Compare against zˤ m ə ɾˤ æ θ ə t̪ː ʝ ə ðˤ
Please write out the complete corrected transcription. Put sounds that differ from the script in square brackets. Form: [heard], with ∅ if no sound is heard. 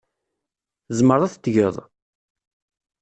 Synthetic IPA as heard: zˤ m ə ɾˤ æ θ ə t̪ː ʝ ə ðˤ